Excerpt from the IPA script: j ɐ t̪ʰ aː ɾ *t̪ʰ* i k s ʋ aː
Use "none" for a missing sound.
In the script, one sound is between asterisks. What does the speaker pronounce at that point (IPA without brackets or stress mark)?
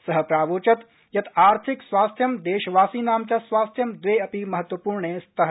t̪ʰ